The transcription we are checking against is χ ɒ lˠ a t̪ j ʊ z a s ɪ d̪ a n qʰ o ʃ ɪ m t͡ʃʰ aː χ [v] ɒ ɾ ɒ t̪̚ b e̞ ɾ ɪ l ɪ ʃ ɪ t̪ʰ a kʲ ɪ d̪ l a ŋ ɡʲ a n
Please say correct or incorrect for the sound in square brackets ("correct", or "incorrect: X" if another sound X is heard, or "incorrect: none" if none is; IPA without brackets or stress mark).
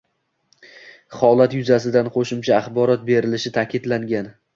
incorrect: b